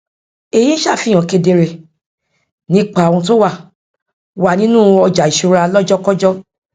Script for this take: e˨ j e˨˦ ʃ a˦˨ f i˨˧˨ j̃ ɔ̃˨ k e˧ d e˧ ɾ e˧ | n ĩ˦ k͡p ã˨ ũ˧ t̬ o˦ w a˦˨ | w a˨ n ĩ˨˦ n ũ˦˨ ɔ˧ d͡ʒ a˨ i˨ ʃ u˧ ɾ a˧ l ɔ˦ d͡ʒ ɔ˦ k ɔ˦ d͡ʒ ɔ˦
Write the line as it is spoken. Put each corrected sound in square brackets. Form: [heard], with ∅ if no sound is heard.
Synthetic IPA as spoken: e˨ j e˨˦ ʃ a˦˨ f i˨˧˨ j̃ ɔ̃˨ k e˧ d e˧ ɾ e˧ | n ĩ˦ k͡p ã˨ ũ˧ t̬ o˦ w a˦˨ | w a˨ n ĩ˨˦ n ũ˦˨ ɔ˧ d͡ʒ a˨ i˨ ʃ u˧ ɾ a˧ l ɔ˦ d͡ʒ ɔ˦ k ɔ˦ d͡ʒ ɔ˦